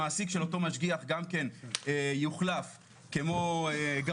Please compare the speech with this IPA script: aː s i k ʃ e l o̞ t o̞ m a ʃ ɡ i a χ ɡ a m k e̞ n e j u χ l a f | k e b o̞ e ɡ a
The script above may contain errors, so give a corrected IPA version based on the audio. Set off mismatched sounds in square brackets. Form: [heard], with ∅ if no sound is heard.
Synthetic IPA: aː s i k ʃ e l o̞ t o̞ m a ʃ ɡ i a χ ɡ a m k e̞ n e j u χ l a f | k e [m] o̞ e ɡ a